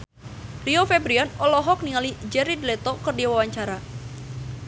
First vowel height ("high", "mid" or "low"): high